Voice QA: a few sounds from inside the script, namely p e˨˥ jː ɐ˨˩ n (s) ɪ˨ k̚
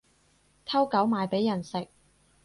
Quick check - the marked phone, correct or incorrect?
correct